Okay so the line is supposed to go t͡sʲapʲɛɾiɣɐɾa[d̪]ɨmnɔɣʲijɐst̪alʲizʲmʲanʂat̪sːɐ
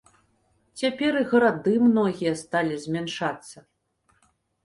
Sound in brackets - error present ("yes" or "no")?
no